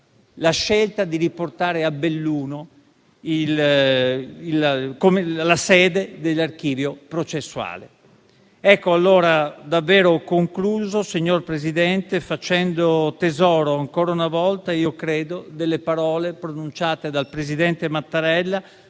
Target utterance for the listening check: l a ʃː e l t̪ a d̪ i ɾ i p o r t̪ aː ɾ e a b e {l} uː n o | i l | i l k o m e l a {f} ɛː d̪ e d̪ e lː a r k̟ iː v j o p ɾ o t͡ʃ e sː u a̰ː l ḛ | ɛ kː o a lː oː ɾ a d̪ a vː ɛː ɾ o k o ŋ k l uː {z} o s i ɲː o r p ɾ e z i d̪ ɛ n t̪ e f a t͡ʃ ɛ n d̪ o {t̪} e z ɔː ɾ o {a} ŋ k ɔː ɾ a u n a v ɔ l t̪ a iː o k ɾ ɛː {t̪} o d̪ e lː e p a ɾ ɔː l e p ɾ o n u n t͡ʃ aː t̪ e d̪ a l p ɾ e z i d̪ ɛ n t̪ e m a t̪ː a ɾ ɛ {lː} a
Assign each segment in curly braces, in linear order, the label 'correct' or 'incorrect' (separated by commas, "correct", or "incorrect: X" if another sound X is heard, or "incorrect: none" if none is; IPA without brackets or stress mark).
incorrect: lː, incorrect: s, correct, correct, correct, incorrect: d̪, correct